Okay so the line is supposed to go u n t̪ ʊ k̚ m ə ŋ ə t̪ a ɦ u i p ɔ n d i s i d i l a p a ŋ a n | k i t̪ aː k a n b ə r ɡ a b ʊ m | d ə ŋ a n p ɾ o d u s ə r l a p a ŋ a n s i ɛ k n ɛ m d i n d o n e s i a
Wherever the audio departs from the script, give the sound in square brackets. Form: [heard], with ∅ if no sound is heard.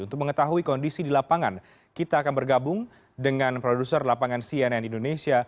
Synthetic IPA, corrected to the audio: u n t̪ ʊ k̚ m ə ŋ ə t̪ a ɦ u i [k] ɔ n d i s i d i l a p a ŋ a n | k i t̪ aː k a n b ə r ɡ a b ʊ [ŋ] | d ə ŋ a n p ɾ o d u s ə r l a p a ŋ a n s i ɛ [∅] n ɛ [n] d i n d o n e s i a